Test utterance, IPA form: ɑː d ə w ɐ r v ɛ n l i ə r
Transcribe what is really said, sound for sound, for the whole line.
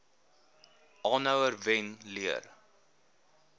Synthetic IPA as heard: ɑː n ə w ə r v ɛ n l i ə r